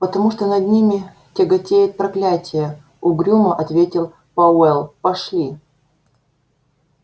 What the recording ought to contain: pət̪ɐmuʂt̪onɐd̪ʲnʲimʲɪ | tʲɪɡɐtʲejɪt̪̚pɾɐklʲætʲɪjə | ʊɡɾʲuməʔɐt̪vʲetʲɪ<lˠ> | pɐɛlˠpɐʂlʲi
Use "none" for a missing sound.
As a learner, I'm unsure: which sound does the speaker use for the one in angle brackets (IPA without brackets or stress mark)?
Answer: lˠ